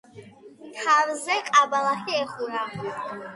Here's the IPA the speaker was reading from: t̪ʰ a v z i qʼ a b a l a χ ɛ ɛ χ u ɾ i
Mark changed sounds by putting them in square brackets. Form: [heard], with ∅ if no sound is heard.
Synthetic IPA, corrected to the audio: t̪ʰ a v z [ɛ] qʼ a b a l a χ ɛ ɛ χ u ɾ [a]